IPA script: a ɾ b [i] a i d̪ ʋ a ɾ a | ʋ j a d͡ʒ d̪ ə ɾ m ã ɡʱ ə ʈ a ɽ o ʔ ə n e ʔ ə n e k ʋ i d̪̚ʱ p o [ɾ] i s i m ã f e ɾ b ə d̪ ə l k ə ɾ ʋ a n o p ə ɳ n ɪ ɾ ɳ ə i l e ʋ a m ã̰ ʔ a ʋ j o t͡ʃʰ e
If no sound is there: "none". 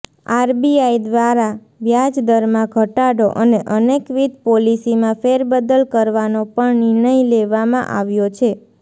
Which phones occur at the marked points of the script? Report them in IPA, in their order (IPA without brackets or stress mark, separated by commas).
i, l